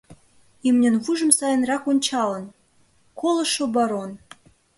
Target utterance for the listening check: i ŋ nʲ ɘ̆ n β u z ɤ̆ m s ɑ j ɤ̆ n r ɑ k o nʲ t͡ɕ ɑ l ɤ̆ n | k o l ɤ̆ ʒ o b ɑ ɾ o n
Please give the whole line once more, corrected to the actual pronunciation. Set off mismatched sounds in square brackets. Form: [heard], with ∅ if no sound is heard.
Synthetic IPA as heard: i [m] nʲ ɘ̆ n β u [ʒ] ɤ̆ m s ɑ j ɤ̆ n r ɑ k o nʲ t͡ɕ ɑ l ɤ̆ n | k o l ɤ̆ [ʃ] o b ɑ ɾ o n